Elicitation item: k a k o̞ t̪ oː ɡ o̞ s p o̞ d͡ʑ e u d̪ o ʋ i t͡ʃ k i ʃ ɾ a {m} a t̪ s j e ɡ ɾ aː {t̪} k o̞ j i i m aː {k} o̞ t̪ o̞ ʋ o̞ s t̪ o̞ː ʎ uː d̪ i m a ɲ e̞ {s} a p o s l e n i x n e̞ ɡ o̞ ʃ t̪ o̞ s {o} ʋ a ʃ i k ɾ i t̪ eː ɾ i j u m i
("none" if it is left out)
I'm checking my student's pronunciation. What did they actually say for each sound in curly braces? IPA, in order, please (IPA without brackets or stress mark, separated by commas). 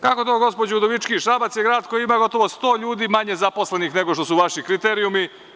b, d̪, ɡ, z, u